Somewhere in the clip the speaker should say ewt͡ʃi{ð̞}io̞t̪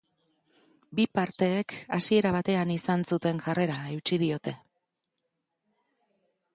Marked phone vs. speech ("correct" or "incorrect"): correct